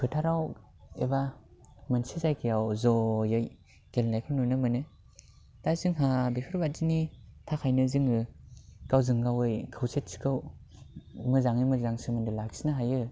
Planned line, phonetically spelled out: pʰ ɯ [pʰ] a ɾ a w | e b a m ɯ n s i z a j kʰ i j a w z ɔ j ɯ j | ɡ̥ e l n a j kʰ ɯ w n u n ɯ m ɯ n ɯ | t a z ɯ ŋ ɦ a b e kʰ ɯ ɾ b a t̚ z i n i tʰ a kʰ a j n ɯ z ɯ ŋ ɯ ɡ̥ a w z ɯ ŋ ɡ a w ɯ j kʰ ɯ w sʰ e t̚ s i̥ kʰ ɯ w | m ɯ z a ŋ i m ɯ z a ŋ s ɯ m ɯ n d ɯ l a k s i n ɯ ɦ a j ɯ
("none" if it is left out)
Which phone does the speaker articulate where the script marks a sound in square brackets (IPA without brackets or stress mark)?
tʰ